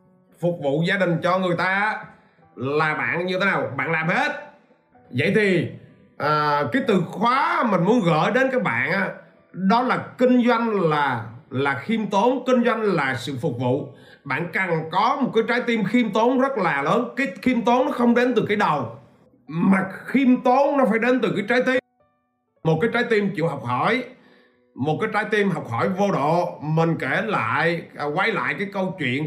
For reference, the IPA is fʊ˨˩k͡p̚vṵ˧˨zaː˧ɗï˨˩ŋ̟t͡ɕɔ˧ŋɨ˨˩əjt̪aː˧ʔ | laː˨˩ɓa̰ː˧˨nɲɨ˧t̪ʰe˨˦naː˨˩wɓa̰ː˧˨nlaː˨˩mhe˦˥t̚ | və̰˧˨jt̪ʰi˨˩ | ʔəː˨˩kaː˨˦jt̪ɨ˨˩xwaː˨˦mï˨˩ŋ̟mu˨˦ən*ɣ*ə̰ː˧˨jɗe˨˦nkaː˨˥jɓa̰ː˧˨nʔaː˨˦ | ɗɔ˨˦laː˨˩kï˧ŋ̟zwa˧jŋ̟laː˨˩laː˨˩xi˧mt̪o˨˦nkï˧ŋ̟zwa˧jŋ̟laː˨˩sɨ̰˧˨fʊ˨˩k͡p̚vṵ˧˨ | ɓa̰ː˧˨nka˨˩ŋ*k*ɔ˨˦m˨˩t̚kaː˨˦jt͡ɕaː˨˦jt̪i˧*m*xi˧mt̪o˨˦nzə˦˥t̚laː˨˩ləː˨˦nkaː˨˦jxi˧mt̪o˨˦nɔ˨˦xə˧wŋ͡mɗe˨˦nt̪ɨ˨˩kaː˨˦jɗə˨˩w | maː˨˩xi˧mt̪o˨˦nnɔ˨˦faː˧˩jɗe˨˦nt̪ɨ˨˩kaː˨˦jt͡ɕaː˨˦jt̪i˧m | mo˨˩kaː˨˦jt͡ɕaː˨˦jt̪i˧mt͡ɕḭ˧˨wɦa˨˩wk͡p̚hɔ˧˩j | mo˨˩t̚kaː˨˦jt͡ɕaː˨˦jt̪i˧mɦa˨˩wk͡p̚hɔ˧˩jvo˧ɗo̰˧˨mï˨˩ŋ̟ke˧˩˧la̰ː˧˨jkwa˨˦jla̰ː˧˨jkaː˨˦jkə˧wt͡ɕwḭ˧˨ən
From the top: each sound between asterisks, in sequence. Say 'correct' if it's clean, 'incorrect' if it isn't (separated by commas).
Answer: correct, correct, correct